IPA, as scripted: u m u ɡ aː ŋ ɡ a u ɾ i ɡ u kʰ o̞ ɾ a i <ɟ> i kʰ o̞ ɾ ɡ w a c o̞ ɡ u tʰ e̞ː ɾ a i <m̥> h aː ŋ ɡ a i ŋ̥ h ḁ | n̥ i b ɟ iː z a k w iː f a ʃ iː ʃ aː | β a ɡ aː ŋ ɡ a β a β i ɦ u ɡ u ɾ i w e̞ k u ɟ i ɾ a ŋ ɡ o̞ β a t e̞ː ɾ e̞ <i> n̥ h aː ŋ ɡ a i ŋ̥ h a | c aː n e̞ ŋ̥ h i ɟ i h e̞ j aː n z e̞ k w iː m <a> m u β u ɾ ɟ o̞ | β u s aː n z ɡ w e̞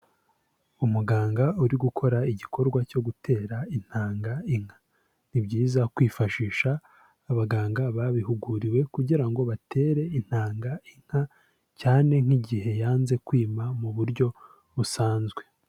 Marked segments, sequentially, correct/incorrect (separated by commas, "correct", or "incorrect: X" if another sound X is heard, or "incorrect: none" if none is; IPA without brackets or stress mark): correct, incorrect: n̥, correct, correct